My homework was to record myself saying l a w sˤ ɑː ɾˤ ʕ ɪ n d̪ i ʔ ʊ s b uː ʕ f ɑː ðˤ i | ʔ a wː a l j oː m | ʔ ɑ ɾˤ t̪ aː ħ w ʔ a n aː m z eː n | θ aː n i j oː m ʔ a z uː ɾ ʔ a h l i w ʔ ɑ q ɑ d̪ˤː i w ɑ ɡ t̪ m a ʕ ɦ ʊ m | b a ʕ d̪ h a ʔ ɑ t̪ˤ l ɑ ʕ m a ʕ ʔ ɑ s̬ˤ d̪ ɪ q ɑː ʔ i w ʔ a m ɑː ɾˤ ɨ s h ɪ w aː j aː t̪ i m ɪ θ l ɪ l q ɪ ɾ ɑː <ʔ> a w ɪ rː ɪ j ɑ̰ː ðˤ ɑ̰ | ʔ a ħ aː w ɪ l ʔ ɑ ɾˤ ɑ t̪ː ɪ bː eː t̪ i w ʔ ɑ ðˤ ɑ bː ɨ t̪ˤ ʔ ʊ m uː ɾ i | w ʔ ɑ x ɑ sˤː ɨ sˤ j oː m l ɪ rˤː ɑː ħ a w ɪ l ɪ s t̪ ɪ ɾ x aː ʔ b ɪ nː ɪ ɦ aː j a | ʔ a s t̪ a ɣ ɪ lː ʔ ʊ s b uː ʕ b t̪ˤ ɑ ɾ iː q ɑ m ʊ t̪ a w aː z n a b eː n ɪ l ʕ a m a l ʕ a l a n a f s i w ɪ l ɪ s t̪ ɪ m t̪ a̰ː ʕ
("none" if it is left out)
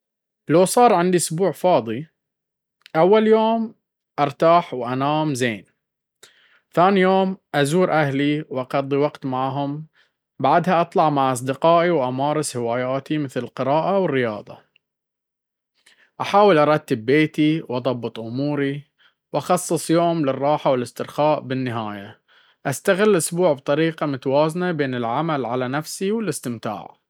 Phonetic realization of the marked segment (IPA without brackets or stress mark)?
ʔ